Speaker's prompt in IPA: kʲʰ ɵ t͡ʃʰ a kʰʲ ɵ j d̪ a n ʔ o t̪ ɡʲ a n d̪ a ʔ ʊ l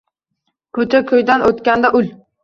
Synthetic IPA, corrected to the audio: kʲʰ ɵ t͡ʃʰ a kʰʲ ɵ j d̪ a n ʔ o t̪ kʲ a n d̪ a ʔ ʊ l